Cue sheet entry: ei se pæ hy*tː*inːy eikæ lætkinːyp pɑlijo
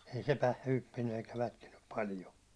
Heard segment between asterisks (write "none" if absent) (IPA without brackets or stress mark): pː